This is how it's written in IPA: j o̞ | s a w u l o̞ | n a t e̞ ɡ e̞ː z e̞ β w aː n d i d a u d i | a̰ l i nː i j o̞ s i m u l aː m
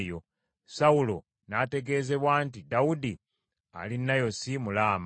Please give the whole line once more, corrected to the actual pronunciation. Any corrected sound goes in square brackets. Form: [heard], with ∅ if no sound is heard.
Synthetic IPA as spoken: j o̞ | s a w u l o̞ | n a t e̞ ɡ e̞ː z e̞ β w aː n [t] i d a u d i | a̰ l i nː [a] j o̞ s i m u l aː m